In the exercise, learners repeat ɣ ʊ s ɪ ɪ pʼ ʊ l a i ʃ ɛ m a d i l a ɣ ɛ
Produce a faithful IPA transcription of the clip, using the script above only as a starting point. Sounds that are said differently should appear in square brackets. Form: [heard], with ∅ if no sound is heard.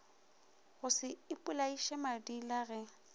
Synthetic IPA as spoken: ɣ ʊ s ɪ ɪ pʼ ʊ l a i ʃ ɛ m a d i l a ɣ ɛ

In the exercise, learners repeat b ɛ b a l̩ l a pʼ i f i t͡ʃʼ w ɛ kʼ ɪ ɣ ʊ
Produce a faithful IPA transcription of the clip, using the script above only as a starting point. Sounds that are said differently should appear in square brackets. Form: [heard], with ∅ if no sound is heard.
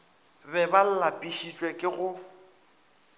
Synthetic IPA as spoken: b ɛ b a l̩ l a pʼ i [ʃ] i t͡ʃʼ w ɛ kʼ ɪ ɣ ʊ

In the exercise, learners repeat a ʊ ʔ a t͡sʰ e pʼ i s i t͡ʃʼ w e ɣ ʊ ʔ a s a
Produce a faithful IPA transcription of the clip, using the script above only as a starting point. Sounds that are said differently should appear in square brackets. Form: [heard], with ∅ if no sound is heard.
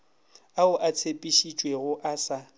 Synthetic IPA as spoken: a ʊ ʔ a t͡sʰ e pʼ i [ʃ] i t͡ʃʼ w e ɣ ʊ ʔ a s a

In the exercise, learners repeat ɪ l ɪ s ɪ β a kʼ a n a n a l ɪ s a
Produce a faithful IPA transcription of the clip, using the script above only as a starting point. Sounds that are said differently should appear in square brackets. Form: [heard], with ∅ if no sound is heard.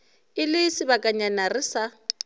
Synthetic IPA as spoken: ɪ l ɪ s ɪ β a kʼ a [ɲ] a n a [r] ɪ s a

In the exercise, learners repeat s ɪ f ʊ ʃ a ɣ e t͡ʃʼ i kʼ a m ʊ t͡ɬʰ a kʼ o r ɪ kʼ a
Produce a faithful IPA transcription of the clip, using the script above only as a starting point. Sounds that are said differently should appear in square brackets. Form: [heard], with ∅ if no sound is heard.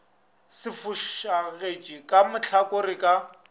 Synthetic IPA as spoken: s ɪ f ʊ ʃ a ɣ e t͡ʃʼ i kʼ a m ʊ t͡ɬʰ a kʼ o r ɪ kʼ a

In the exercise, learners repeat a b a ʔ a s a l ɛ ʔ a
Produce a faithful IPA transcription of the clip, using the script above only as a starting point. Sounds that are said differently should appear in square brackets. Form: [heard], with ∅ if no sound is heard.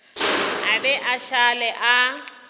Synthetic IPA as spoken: a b [ɛ] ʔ a [ʃ] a l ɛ ʔ a

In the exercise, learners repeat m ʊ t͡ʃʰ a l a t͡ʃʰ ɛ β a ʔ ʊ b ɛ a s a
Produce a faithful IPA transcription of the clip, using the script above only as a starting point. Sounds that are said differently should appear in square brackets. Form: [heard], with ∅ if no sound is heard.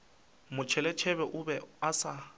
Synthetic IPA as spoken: m ʊ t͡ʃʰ [ɛ] l [ɛ] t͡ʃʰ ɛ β [ɛ] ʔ ʊ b ɛ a s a

